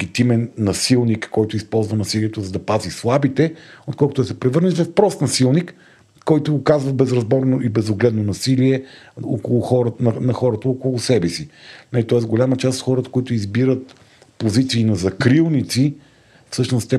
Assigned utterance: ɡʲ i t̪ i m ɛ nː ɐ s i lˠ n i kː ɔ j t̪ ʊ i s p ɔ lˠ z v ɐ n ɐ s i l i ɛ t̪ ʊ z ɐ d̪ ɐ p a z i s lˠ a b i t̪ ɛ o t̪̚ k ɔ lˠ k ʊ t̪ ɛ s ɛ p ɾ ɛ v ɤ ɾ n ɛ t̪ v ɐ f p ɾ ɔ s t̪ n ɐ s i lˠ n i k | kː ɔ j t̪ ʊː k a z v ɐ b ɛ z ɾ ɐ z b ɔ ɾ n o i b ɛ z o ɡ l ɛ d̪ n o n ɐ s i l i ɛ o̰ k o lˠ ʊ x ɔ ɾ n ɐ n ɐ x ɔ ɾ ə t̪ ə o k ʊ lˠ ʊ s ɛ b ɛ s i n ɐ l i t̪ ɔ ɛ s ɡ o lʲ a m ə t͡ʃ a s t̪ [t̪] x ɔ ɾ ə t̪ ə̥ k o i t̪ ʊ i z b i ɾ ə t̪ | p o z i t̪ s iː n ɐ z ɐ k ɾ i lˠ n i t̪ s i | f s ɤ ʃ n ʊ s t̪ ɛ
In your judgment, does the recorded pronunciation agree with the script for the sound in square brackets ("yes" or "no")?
yes